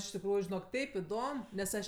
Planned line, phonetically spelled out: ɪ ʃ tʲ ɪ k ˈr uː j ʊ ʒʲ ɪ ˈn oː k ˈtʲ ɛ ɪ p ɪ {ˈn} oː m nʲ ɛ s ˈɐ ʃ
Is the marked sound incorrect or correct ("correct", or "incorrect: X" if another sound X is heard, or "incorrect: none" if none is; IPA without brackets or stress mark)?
incorrect: d